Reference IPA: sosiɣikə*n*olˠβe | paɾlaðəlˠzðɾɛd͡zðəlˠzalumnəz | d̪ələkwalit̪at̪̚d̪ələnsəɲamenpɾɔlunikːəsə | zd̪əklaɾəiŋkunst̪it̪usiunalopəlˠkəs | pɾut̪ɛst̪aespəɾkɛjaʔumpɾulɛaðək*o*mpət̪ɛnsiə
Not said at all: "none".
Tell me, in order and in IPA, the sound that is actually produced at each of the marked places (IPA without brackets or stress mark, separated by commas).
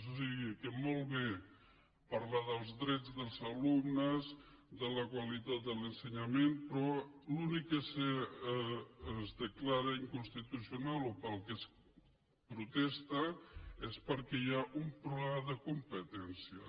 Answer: m, u